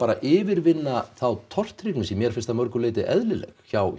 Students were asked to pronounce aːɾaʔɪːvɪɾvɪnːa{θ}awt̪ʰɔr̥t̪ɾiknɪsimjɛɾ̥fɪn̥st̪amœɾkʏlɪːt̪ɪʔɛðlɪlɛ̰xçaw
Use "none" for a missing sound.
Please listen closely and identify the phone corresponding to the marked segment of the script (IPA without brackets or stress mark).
θ